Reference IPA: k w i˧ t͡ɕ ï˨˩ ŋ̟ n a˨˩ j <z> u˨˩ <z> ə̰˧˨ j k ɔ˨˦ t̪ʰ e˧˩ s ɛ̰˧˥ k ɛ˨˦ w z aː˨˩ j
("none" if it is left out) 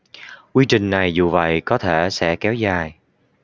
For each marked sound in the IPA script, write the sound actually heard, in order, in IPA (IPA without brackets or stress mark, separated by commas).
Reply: z, v